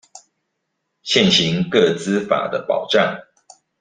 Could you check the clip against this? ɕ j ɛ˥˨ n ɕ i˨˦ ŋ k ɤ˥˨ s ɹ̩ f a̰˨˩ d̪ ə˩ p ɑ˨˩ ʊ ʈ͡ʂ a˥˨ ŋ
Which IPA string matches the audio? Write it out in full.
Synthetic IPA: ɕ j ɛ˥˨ n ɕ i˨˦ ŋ k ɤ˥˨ t͡s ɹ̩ f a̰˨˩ d̪ ə˦ p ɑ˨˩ ʊ ʈ͡ʂ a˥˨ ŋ

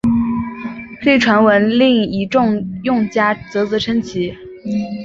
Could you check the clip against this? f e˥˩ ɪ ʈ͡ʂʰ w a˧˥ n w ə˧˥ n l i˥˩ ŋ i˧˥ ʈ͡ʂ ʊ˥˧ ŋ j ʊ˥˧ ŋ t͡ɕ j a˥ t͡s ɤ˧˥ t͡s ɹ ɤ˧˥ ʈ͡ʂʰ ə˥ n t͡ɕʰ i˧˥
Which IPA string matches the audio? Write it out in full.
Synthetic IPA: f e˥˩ ɪ ʈ͡ʂʰ w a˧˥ n w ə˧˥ n l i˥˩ ŋ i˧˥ ʈ͡ʂ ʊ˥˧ ŋ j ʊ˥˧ ŋ t͡ɕ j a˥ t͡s ɤ˧˥ t͡s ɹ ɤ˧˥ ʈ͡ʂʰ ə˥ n t͡ɕʰ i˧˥

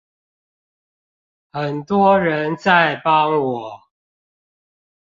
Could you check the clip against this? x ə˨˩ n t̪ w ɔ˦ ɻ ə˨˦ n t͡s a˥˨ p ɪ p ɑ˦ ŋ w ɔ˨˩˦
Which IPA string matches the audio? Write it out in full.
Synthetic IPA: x ə˨˩ n t̪ w ɔ˦ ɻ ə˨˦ n t͡s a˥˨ ɪ p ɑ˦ ŋ w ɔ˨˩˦

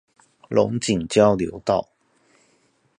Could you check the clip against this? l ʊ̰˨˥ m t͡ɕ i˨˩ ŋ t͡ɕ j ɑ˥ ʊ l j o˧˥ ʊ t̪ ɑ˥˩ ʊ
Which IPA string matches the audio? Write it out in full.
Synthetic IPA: l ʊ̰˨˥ ŋ t͡ɕ i˨˩ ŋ t͡ɕ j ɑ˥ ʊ l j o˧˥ ʊ t̪ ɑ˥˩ ʊ

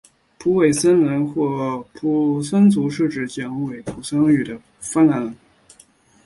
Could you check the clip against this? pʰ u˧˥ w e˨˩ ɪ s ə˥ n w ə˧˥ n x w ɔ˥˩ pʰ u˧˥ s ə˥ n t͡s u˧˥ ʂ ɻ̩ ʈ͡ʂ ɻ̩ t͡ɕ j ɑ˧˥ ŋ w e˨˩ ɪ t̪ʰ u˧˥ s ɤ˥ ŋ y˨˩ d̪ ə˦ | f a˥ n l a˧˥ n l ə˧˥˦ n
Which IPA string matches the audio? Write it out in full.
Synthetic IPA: pʰ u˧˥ w e˨˩ ɪ s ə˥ n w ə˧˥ n x w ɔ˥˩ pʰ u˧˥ s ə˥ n t͡s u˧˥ ʂ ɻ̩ ʈ͡ʂ ɻ̩ t͡ɕ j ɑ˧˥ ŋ w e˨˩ ɪ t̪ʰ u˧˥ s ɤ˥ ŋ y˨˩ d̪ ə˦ | f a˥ n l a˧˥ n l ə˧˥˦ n

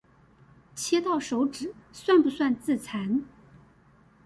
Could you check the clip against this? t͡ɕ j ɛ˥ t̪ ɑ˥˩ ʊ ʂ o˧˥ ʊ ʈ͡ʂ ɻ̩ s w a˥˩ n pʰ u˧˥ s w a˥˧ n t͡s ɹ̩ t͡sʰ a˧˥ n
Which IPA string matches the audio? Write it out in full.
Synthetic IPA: t͡ɕʰ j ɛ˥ t̪ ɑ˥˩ ʊ ʂ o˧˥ ʊ ʈ͡ʂ ɻ̩ s w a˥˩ n p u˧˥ s w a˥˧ n t͡s ɹ̩ t͡sʰ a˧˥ n

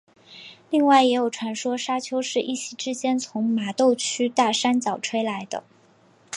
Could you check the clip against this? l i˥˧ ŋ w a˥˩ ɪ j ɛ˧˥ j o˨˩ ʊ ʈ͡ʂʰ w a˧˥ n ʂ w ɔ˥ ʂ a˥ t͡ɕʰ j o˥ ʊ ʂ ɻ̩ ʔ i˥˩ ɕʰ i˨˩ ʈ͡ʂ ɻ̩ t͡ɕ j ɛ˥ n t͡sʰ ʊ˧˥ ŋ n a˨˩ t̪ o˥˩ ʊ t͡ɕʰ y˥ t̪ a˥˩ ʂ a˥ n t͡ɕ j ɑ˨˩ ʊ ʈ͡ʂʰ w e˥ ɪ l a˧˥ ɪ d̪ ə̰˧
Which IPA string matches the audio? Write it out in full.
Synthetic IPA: l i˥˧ ŋ w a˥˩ ɪ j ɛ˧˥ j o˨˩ ʊ ʈ͡ʂʰ w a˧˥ n ʂ w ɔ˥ ʂ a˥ t͡ɕʰ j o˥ ʊ ʂ ɻ̩ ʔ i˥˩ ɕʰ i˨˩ ʈ͡ʂ ɻ̩ t͡ɕ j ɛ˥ n t͡sʰ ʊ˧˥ ŋ m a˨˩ t̪ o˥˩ ʊ t͡ɕʰ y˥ t̪ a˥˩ ʂ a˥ n t͡ɕ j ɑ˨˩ ʊ ʈ͡ʂʰ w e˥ ɪ l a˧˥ ɪ d̪ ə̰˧

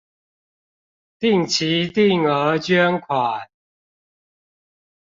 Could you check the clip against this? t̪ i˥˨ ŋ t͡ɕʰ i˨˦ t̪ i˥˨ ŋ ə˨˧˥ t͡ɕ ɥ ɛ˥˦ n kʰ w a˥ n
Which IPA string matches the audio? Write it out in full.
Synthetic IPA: t̪ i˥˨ ŋ t͡ɕʰ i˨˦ t̪ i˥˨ ŋ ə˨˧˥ t͡ɕ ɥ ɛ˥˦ n kʰ w a˨˩ n

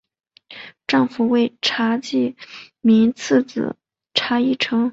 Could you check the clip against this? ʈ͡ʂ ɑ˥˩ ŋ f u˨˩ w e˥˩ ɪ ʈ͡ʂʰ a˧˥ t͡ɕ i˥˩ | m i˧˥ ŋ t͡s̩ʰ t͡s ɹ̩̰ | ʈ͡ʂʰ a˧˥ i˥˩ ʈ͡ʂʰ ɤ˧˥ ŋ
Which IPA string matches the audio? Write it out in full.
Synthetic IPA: ʈ͡ʂ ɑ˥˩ ŋ f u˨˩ w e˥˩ ɪ ʈ͡ʂʰ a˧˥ t͡ɕ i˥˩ | m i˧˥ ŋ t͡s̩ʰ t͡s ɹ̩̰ | ʈ͡ʂʰ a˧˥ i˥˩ ʈ͡ʂʰ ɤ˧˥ ŋ

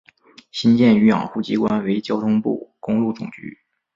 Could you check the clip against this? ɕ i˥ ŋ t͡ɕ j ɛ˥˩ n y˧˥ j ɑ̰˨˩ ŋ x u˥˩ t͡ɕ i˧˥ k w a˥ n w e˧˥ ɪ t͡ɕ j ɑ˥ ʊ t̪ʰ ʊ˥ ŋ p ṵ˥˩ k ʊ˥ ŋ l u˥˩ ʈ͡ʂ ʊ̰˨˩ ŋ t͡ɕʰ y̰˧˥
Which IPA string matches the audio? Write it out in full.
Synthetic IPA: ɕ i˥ n t͡ɕ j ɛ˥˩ n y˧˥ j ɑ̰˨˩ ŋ x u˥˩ t͡ɕ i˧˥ k w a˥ n w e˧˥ ɪ t͡ɕ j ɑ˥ ʊ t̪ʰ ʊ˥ ŋ p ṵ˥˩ k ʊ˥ ŋ l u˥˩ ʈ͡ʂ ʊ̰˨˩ ŋ t͡ɕ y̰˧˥

